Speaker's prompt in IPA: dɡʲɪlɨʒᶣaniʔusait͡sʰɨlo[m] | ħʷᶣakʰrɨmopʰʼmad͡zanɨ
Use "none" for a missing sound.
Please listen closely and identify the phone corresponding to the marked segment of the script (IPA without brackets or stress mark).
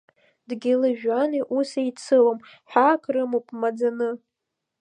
m